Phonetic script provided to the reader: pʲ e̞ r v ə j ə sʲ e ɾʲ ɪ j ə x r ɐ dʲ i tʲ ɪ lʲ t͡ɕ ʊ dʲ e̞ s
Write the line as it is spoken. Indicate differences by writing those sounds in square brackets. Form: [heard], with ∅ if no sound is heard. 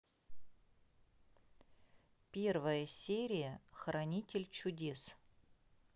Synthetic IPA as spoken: pʲ e̞ r v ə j ə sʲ e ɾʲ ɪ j ə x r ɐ [nʲ] i tʲ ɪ lʲ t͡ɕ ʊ dʲ e̞ s

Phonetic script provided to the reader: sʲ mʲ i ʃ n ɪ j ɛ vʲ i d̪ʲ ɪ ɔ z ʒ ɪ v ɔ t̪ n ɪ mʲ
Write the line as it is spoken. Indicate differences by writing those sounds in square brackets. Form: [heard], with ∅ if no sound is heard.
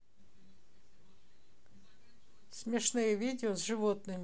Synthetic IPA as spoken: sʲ mʲ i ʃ n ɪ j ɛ [ʋʲ] i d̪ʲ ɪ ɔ z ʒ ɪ [ʋ] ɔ t̪ n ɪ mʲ

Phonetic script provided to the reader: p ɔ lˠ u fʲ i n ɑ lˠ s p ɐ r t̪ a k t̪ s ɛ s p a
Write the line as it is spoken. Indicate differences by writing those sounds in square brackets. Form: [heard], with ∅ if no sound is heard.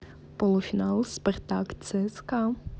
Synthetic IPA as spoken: p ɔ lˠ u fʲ i n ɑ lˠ s p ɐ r t̪ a k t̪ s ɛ s [k] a

